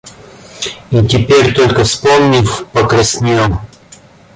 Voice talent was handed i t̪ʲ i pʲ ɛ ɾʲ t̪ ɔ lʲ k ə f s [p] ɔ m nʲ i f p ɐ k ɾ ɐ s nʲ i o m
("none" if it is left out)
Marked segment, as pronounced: p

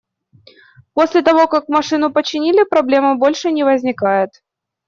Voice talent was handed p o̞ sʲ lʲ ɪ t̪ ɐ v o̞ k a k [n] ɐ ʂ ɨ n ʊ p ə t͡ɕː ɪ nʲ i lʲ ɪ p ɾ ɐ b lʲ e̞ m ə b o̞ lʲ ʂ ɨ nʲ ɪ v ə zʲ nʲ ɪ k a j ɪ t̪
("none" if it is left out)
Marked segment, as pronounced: m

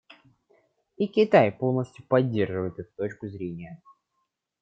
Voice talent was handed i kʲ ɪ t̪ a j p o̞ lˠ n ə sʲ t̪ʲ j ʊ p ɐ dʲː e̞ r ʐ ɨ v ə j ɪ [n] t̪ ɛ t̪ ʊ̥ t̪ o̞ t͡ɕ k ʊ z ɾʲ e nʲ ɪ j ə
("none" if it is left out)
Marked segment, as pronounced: none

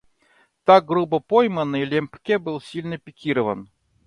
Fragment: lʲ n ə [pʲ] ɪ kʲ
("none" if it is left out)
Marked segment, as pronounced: pʲ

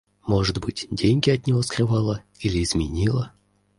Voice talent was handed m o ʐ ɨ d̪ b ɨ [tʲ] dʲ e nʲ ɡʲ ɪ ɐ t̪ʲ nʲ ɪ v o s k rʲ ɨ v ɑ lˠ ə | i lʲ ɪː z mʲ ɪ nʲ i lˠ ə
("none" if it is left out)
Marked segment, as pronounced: tʲ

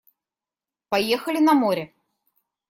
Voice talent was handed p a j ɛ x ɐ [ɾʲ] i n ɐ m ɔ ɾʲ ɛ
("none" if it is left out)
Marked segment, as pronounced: lʲ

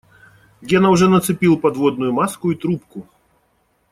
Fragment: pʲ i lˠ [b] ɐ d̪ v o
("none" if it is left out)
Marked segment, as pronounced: p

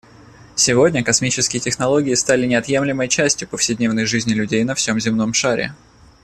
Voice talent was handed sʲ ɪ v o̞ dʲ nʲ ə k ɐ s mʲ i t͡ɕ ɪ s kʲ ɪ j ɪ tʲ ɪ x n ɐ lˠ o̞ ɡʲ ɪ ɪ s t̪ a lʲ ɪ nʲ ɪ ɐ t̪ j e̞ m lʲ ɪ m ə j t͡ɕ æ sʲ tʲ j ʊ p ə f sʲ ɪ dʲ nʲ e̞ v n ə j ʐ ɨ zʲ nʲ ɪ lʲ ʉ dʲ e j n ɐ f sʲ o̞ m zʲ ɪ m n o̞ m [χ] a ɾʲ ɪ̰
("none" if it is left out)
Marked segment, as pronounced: ʂ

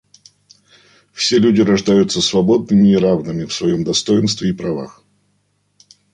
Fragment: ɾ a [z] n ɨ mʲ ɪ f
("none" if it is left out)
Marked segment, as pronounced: v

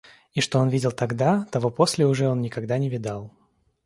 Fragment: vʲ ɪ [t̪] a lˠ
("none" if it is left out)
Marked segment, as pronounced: d̪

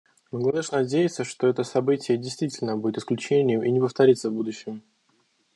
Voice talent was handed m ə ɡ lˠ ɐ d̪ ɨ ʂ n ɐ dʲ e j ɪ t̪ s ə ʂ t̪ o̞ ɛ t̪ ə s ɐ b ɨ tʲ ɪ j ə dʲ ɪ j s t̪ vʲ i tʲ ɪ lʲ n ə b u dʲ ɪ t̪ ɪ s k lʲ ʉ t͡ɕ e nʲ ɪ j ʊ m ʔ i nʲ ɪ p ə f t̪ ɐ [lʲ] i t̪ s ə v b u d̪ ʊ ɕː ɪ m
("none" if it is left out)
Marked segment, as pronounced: ɾʲ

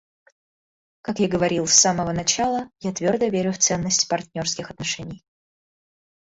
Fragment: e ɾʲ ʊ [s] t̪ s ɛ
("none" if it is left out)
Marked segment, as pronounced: f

